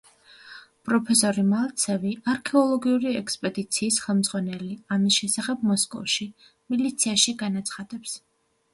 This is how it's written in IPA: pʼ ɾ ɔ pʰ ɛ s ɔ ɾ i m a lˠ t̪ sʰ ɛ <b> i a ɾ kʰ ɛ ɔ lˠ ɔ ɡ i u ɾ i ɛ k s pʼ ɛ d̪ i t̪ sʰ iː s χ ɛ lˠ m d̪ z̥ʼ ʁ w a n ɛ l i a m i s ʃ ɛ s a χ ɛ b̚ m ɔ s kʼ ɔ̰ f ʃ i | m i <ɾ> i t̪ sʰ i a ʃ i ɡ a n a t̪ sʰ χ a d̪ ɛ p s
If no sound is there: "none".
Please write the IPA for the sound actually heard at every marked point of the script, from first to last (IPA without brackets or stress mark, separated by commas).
v, l